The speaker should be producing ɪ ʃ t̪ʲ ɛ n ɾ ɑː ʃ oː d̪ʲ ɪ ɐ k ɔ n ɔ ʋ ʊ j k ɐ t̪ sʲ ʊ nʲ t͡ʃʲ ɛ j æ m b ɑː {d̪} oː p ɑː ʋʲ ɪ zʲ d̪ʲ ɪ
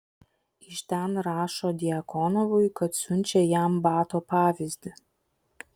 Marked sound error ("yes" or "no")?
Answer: yes